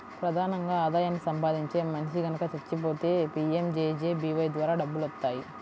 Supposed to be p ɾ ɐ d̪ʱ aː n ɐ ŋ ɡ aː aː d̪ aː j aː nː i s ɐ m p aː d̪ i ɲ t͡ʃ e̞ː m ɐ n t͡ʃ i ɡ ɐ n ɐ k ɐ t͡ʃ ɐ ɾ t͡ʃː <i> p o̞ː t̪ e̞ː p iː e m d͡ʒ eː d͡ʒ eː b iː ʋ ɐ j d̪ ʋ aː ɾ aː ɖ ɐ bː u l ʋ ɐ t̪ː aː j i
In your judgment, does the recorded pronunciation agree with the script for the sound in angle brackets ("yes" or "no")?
yes